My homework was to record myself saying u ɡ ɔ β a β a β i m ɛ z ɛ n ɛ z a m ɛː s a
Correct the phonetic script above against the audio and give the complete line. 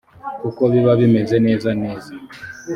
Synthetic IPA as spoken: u k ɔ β i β a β i m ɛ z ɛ n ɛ z a n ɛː z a